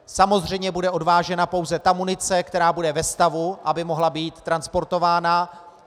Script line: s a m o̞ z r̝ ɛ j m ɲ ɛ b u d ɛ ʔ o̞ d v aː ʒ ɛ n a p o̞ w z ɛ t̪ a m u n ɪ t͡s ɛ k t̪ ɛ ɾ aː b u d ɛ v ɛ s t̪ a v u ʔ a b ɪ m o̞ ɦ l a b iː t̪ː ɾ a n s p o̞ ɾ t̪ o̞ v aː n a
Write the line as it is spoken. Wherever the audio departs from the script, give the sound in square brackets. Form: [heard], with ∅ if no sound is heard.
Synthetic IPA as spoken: s a m o̞ z r̝ ɛ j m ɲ ɛ b u d ɛ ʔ o̞ d v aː ʒ ɛ n a p o̞ w z ɛ t̪ a m u n ɪ t͡s ɛ k t̪ ɛ ɾ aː b u d ɛ v ɛ s t̪ a v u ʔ a b ɪ m o̞ ɦ l a b iː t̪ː ɾ a n s p o̞ ɾ t̪ o̞ v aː n a

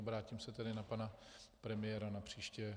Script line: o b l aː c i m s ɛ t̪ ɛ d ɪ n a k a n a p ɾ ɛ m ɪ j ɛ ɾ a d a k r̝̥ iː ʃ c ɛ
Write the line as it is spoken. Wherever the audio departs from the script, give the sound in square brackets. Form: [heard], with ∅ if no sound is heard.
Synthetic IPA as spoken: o b [ɾ] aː c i m s ɛ t̪ ɛ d ɪ n a [p] a n a p ɾ ɛ m ɪ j ɛ ɾ a [n] a [p] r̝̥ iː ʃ c ɛ

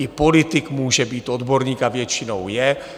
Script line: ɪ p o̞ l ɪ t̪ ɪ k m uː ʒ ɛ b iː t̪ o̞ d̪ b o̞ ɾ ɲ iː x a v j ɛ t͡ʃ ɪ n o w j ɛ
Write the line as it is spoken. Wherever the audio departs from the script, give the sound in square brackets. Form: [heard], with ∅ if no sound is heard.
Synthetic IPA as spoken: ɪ p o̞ l ɪ t̪ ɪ k m uː ʒ ɛ b iː t̪ o̞ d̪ b o̞ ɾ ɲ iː [k] a v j ɛ t͡ʃ ɪ n o w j ɛ

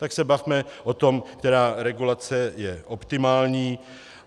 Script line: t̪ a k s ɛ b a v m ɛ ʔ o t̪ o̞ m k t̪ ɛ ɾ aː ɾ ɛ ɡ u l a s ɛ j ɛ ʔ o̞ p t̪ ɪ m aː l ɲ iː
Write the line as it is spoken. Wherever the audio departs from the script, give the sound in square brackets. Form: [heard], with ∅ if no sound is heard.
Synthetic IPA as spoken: t̪ a k s ɛ b a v m ɛ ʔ o t̪ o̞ m k t̪ ɛ ɾ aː ɾ ɛ ɡ u l a [t͡s] ɛ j ɛ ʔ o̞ p t̪ ɪ m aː l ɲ iː

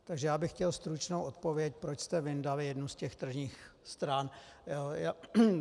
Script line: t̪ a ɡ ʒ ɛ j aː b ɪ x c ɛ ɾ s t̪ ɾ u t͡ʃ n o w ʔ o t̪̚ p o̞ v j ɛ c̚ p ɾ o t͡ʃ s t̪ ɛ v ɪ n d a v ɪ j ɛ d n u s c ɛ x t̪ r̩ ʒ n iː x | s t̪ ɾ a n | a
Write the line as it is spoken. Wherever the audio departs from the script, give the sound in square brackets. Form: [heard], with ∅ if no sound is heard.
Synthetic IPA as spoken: t̪ a ɡ ʒ ɛ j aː b ɪ x c ɛ [l] s t̪ ɾ u t͡ʃ n o w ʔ o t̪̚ p o̞ v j ɛ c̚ p ɾ o t͡ʃ s t̪ ɛ v ɪ n d a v ɪ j ɛ d n u s c ɛ x t̪ r̩ ʒ [ɲ] iː x | s t̪ ɾ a n | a

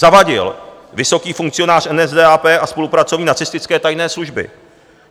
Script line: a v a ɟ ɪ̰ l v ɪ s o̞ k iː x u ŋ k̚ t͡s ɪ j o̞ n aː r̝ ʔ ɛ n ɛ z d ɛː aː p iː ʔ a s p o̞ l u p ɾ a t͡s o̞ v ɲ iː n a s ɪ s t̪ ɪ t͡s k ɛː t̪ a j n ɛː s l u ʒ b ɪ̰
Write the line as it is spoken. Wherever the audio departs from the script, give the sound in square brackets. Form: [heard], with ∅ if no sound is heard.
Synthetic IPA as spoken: a v a ɟ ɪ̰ l v ɪ s o̞ k iː [f] u ŋ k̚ t͡s ɪ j o̞ n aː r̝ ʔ ɛ n ɛ z d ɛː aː p [ɛː] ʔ a s p o̞ l u p ɾ a t͡s o̞ v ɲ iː n a [t͡s] ɪ s t̪ ɪ t͡s k ɛː t̪ a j n ɛː s l u ʒ b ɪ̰

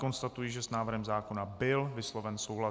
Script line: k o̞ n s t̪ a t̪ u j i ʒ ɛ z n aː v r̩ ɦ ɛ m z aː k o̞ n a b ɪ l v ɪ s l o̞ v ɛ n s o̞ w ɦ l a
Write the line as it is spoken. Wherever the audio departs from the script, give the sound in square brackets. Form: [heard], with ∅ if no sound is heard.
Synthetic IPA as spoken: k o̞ n s t̪ a t̪ u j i ʒ ɛ [s] n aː v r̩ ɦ ɛ m z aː k o̞ n a b ɪ l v ɪ s l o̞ v ɛ n s o̞ w ɦ l a

